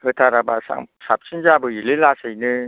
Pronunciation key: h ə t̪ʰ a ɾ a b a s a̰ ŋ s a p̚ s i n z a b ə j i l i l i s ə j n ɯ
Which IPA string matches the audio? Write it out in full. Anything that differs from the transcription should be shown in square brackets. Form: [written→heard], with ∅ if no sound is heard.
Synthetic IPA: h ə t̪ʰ a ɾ a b a s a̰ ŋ s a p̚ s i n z a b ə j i l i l [i→a] s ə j n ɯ